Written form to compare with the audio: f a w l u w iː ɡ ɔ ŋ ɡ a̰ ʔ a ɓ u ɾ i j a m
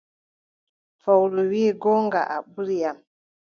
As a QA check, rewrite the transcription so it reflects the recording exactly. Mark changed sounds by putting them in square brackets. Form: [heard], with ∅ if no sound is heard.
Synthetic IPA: f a w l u w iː ɡ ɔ ŋ ɡ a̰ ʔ a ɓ u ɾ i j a m